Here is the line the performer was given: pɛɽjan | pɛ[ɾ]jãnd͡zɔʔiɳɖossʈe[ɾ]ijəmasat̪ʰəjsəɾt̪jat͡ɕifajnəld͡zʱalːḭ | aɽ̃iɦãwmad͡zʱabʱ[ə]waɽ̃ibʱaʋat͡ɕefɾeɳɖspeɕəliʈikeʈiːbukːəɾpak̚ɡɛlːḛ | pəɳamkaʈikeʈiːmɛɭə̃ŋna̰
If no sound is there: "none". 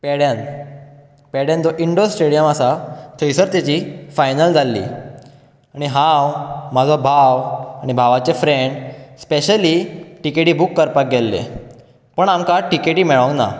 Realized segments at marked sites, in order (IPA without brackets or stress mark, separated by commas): ɽ, ɽ, a